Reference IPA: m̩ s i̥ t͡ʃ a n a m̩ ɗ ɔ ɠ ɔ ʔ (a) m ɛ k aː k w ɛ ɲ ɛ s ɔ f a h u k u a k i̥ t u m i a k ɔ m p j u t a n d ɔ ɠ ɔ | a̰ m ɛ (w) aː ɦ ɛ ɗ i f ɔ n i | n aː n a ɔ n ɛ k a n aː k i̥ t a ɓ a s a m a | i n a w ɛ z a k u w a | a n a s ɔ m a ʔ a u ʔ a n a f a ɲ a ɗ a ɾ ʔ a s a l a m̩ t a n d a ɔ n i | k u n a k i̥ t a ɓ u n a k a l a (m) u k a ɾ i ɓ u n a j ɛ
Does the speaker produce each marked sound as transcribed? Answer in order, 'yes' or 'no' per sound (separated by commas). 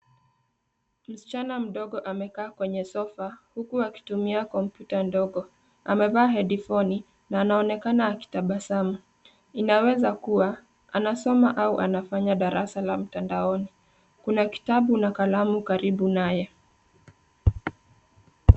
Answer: yes, no, yes